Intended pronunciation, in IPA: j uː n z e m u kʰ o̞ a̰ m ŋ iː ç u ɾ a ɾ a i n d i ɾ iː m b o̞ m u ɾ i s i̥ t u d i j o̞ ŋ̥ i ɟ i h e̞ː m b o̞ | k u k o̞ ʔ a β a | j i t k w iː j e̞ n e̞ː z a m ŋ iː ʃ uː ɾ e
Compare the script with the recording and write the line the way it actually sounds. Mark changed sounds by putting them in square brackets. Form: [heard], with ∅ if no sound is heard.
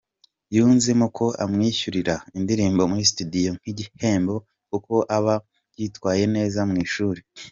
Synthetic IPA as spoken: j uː n z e m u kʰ o̞ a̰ m ŋ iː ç u ɾ [i] ɾ a i n d i ɾ iː m b o̞ m u ɾ i s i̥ t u d i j o̞ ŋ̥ i ɟ i h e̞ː m b o̞ | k u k o̞ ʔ a β a | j i t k w [aː] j e̞ n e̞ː z a m ŋ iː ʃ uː ɾ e